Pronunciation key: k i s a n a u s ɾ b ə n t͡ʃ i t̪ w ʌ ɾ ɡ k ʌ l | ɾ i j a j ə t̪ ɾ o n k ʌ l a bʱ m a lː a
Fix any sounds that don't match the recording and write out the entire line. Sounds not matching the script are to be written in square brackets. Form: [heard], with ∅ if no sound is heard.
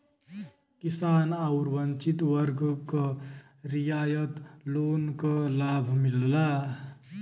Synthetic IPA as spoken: k i s a n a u [∅] ɾ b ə n t͡ʃ i t̪ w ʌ ɾ ɡ k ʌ [∅] | ɾ i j a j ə t̪ [l] o n k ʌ l a bʱ m [i] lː a